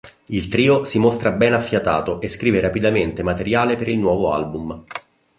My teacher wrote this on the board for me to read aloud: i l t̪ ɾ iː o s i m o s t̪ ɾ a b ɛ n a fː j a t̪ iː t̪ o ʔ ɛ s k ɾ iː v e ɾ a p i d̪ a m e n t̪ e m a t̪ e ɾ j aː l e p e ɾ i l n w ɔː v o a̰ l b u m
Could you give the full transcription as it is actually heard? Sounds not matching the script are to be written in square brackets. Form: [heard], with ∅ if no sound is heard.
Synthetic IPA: i l t̪ ɾ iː o s i m o s t̪ ɾ a b ɛ n a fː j a t̪ [aː] t̪ o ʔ [e] s k ɾ iː v e ɾ a p i d̪ a m e n t̪ e m a t̪ e ɾ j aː l e p e ɾ i l n w ɔː v o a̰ l b u m

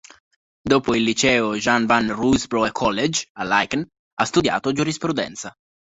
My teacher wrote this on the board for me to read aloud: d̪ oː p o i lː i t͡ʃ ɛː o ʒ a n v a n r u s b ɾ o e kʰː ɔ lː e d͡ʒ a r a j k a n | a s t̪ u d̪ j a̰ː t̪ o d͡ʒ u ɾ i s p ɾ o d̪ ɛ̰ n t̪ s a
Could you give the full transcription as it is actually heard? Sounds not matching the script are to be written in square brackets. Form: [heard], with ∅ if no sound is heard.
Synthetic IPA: d̪ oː p o i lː i t͡ʃ ɛː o ʒ a n v a n r u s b ɾ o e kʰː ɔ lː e d͡ʒ a [l] a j k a n | a s t̪ u d̪ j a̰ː t̪ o d͡ʒ u ɾ i s p ɾ [u] d̪ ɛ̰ n t̪ s a

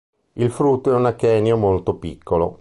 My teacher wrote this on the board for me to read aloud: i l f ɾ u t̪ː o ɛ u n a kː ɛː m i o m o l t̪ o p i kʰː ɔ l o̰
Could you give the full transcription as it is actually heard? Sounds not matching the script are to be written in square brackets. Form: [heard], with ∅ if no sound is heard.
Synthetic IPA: i l f ɾ u t̪ː o ɛ u n a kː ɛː [n] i o m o l t̪ o p i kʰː [o] l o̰

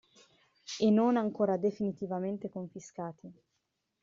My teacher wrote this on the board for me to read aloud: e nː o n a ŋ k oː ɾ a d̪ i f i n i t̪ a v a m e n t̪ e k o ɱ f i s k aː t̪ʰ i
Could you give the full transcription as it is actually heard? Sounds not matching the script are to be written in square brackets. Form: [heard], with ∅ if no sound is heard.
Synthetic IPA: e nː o n a ŋ k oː ɾ a d̪ [e] f i n i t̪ [i] v a m e n t̪ e k o ɱ f i s k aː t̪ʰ i

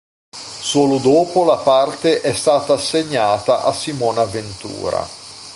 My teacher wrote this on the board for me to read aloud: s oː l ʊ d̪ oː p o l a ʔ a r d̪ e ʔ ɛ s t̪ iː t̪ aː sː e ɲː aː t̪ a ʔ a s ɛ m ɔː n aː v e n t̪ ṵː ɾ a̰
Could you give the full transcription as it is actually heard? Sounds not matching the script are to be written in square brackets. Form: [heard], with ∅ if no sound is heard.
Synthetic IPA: s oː l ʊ d̪ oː p o l a [p] a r [t̪] e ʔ ɛ s t̪ [aː] t̪ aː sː e ɲː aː t̪ a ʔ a s [i] m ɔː n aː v e n t̪ ṵː ɾ a̰

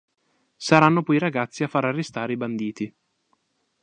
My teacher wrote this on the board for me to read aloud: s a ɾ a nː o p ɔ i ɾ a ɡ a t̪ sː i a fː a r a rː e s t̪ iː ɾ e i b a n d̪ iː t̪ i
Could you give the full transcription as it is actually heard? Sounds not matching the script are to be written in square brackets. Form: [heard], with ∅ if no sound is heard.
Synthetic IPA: s a ɾ a nː o p ɔ i ɾ a ɡ a t̪ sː i a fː a [ɾ] a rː e s t̪ [aː] ɾ e i b a n d̪ iː t̪ i

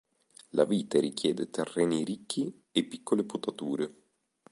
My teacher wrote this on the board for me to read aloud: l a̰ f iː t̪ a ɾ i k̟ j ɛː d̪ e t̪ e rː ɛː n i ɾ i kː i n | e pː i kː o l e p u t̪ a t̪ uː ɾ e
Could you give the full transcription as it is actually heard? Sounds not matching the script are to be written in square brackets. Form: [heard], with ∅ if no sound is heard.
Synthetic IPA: l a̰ [v] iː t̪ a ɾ i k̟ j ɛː d̪ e t̪ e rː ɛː n i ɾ i kː i [∅] | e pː i kː o l e p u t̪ a t̪ uː ɾ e

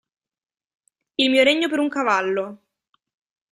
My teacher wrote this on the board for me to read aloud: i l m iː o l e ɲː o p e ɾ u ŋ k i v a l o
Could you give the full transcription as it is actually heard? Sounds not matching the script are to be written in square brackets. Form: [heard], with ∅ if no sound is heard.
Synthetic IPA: i l m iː o [ɾ] e ɲː o p e ɾ u ŋ k [a] v a [lː] o

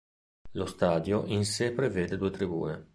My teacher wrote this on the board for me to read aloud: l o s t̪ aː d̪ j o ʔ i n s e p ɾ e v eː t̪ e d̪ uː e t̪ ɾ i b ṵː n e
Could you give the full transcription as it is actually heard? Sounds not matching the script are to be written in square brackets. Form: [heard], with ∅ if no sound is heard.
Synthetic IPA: l o s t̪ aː d̪ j o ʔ i n s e p ɾ e v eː [d̪] e d̪ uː e t̪ ɾ i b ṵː n e

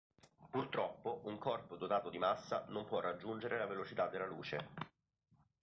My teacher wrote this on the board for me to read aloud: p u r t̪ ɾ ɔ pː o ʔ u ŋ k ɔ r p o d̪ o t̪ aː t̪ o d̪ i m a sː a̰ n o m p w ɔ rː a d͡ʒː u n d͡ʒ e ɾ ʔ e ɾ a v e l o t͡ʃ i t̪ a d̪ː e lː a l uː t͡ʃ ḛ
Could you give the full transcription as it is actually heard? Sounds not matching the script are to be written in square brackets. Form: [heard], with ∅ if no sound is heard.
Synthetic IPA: p u r t̪ ɾ ɔ pː o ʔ u ŋ k ɔ r p o d̪ o t̪ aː t̪ o d̪ i m a sː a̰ n o m p w ɔ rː a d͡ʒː u n d͡ʒ e ɾ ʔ e [l] a v e l o t͡ʃ i t̪ a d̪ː e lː a l uː t͡ʃ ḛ

